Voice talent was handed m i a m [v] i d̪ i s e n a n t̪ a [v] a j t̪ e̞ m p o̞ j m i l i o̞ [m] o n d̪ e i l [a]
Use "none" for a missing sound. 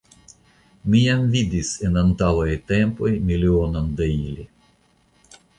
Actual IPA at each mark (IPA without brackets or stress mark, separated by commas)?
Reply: v, w, n, i